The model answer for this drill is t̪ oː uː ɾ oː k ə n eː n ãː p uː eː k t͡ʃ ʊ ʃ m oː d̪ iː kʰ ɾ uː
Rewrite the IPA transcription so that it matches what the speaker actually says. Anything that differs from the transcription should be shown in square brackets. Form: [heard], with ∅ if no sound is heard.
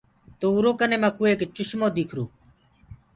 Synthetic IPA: t̪ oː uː ɾ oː k ə n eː [m] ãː [k] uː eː k t͡ʃ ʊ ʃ m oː d̪ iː kʰ ɾ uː